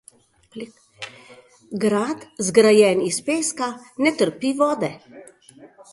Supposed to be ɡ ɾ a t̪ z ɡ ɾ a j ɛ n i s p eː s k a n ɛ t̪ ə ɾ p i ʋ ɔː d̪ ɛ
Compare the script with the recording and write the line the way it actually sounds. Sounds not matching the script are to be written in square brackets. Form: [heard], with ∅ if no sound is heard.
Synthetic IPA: ɡ ɾ a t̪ z ɡ ɾ a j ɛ n i s p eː s k a n ɛ t̪ ə ɾ p i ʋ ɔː d̪ ɛ